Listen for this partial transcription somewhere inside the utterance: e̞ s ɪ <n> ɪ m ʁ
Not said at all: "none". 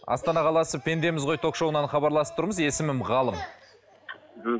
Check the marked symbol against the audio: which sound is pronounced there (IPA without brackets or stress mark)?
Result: m